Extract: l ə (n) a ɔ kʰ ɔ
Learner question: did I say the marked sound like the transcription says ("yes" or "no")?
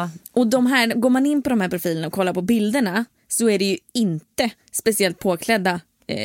yes